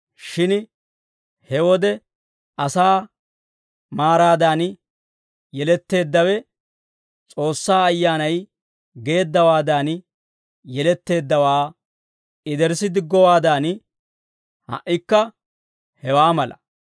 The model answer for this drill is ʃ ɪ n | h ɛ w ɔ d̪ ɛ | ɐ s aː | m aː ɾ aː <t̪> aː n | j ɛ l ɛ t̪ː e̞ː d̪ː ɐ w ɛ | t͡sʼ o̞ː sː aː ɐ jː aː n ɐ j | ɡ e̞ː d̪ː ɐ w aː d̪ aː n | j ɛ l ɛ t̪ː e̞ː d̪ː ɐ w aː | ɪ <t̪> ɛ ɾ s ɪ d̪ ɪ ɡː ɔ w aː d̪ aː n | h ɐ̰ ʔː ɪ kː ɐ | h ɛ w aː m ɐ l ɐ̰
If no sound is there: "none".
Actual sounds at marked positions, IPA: d̪, d̪

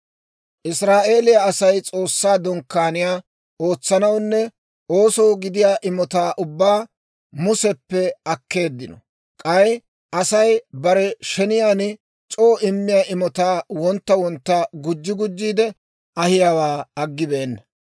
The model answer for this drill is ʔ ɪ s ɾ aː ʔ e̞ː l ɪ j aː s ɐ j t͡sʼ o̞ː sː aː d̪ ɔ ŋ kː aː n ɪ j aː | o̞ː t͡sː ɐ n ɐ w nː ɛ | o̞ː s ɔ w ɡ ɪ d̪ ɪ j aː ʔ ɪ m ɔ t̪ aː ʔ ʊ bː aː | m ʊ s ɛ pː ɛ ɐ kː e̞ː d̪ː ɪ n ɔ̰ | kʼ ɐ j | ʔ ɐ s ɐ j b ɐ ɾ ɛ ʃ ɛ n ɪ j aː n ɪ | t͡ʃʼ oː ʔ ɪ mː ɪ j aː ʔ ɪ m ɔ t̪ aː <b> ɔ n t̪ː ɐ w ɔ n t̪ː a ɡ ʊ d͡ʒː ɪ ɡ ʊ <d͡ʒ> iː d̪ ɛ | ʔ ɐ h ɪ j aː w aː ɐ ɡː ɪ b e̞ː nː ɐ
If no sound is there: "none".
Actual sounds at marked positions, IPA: w, d͡ʒː

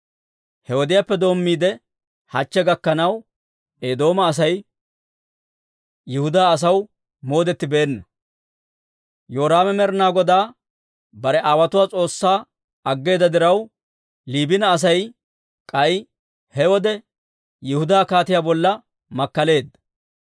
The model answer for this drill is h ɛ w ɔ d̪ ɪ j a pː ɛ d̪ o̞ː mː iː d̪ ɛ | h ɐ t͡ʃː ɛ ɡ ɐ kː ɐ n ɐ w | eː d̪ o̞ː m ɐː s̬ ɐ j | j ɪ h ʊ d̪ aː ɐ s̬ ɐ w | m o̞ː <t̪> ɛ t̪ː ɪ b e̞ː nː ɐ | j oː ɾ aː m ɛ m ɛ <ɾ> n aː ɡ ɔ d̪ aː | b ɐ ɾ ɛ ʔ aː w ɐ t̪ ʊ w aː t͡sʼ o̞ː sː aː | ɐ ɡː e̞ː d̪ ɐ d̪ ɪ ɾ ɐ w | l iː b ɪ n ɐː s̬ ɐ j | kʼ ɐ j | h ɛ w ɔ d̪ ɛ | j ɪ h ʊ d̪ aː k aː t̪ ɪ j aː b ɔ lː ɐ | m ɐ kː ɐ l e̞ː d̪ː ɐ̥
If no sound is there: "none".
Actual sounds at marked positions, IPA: d̪, ɾ

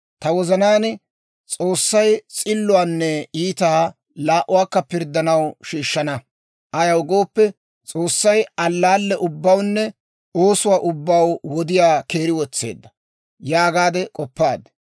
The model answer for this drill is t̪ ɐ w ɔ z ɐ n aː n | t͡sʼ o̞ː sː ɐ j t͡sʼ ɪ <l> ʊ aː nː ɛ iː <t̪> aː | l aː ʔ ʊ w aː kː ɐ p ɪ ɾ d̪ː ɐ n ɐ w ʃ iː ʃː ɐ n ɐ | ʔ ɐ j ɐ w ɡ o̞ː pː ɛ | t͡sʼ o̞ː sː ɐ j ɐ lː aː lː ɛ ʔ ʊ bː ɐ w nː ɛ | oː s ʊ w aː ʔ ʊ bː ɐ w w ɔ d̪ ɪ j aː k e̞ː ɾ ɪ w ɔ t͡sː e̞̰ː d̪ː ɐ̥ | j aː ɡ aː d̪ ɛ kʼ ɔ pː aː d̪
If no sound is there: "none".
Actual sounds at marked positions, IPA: lː, t̪

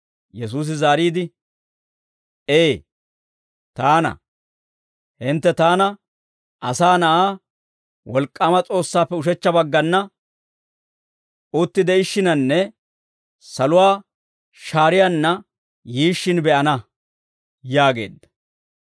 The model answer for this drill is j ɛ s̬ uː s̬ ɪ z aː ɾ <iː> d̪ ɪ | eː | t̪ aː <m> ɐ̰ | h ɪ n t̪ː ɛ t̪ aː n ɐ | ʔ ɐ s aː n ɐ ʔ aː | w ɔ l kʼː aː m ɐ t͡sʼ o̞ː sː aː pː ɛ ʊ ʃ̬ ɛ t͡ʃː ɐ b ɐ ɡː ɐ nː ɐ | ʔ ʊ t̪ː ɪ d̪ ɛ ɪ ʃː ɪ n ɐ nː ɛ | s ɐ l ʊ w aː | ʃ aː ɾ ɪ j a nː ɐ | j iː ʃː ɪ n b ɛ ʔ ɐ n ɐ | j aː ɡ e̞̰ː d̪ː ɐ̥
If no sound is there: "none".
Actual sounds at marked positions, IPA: iː, n

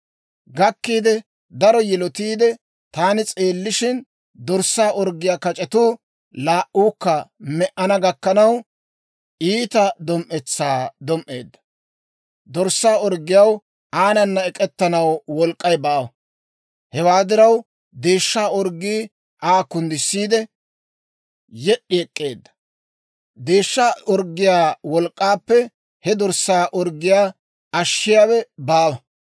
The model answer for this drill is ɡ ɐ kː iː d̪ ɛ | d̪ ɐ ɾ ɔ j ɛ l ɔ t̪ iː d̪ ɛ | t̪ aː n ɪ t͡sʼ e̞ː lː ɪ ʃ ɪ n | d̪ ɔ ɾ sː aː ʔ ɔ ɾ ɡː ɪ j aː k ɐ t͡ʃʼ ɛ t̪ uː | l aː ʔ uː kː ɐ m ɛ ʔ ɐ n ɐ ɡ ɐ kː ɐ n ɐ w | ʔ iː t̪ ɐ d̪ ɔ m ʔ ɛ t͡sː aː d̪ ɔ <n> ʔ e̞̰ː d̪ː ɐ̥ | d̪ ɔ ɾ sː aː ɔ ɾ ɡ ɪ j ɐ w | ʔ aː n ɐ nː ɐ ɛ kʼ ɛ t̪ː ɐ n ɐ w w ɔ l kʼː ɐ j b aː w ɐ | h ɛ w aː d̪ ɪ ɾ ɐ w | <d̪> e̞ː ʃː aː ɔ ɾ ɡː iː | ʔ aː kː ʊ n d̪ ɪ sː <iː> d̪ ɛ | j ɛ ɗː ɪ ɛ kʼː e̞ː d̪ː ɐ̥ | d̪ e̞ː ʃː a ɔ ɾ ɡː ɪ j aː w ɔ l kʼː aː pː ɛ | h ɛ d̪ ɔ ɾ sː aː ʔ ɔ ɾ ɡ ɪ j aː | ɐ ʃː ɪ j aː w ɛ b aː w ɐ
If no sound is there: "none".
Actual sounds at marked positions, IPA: m, d̪, iː

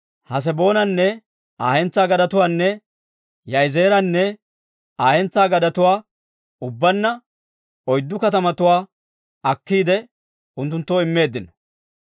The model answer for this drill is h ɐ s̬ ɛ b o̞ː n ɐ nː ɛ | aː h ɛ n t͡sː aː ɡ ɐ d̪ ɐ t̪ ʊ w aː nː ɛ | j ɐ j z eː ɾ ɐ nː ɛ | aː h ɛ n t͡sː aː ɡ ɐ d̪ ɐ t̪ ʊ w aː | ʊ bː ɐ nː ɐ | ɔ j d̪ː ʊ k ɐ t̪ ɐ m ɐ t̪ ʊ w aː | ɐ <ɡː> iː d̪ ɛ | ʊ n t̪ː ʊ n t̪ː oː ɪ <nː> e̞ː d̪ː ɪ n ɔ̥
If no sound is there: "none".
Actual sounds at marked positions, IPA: kː, mː

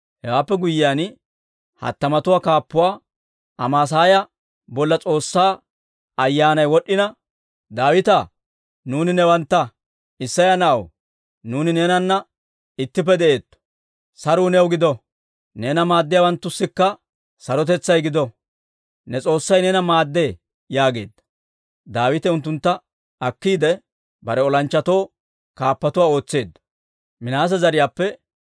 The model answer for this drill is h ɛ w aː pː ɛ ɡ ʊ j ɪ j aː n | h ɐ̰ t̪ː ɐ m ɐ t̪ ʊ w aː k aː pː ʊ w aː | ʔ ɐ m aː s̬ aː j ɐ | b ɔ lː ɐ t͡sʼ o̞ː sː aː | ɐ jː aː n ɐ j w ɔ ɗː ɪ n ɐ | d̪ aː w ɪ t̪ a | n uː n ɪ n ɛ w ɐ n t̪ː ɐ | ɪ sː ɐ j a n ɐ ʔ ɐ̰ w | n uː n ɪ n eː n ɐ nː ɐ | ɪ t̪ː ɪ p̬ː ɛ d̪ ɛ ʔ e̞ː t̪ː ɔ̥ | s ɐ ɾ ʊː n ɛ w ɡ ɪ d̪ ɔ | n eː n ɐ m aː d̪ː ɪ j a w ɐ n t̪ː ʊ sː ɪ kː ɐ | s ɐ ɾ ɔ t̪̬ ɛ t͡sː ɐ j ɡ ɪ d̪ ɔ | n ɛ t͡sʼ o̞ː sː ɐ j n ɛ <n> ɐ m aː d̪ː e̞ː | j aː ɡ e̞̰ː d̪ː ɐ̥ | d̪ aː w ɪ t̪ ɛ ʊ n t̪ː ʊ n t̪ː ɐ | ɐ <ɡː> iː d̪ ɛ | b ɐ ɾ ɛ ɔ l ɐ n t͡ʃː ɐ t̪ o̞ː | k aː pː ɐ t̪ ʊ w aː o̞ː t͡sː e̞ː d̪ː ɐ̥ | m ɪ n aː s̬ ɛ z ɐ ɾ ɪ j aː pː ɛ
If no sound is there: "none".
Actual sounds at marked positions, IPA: n, kː

